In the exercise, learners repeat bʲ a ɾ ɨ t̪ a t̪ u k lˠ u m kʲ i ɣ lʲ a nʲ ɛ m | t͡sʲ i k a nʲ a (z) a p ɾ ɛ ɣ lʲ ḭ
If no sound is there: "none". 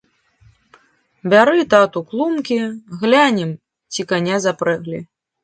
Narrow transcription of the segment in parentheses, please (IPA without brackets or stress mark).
z